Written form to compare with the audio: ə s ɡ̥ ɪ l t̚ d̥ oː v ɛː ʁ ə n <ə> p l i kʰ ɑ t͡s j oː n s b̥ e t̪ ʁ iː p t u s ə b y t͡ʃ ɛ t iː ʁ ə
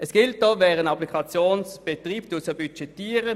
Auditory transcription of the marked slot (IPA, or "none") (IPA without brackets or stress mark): ɑ